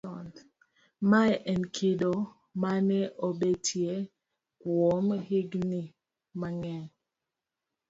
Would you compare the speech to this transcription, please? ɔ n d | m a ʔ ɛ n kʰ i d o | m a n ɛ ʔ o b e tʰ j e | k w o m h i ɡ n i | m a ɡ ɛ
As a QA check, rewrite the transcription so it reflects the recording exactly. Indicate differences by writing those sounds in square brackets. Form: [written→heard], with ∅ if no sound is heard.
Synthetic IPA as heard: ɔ n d | m a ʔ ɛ n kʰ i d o | m a n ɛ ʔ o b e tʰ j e | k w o m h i ɡ n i | m a [ɡ→ŋ] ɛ